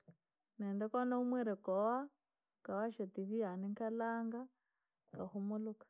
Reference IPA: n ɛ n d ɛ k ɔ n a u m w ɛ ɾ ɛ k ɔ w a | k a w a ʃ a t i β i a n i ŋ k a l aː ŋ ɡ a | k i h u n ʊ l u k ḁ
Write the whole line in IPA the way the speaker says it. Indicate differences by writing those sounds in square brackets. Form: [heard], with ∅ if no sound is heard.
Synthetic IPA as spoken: n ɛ n d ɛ k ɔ n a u m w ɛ ɾ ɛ k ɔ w a | k a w a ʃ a t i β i a n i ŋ k a l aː ŋ ɡ a | k [a] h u [m] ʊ l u k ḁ

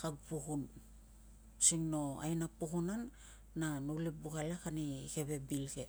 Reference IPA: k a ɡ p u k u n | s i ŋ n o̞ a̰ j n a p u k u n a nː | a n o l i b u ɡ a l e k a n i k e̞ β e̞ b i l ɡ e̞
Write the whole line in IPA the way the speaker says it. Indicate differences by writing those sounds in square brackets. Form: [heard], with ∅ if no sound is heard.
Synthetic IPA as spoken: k a ɡ p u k u n | s i ŋ n o̞ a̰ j n a p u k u n a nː | a n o l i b u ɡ a l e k a n i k e̞ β e̞ b i l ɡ e̞

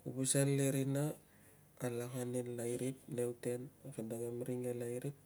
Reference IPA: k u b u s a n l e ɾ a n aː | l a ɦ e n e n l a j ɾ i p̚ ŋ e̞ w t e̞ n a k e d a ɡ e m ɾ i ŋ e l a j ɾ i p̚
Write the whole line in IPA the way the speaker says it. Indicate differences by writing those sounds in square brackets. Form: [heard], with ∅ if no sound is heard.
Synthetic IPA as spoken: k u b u s a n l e ɾ [i] n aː | l a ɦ [a] n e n l a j ɾ i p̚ [n] e̞ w t e̞ n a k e d a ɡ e m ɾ i ŋ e l a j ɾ i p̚

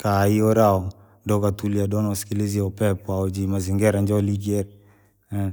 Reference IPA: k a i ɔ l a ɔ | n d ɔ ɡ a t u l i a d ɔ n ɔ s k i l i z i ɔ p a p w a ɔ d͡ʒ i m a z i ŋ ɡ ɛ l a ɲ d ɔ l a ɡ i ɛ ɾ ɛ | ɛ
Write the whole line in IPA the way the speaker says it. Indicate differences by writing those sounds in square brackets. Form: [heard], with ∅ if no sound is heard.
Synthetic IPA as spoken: k a i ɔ [ɾ] a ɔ | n d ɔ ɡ a t u l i a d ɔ n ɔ s k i l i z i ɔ p [ɛ] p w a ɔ d͡ʒ i m a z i ŋ ɡ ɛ [ɾ] a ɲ [d͡ʒ] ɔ l [i] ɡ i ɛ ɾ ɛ | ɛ

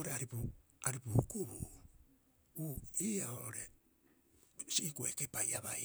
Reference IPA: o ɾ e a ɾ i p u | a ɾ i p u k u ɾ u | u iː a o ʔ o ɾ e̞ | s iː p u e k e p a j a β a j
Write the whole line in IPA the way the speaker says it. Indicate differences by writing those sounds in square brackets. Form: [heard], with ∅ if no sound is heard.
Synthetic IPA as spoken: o ɾ e a ɾ i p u | a ɾ i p u k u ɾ u | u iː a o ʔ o ɾ e̞ | s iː [k] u e k e p a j a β a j

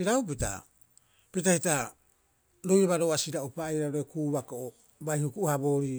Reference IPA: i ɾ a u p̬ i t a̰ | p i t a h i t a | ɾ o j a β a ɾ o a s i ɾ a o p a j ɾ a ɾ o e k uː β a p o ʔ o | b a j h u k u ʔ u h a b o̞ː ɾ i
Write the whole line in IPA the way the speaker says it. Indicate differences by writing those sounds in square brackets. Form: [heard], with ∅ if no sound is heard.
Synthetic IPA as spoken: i ɾ a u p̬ i t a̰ | p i t a h i t a | ɾ o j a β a ɾ o a s i ɾ a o p a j ɾ a ɾ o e k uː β a [k] o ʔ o | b a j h u k u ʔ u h a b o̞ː ɾ i

